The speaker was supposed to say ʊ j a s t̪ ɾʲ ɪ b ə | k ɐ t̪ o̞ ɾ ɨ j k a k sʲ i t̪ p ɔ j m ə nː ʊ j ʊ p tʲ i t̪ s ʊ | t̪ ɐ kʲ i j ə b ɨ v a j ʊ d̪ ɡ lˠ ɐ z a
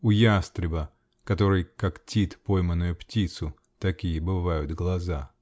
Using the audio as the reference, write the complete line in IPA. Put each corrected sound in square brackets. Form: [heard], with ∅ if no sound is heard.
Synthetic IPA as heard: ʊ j a s t̪ ɾʲ ɪ b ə | k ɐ t̪ o̞ ɾ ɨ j k a k [tʲ] i t̪ p [o] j m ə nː ʊ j ʊ p tʲ i t̪ s ʊ | t̪ ɐ kʲ i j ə b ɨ v a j ʊ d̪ ɡ lˠ ɐ z a